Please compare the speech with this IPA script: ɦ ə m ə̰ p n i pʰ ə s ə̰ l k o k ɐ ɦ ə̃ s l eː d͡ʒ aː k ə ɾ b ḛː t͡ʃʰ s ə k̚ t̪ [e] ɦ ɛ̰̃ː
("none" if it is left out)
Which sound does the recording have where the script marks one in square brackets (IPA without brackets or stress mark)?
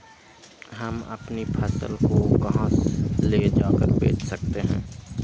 e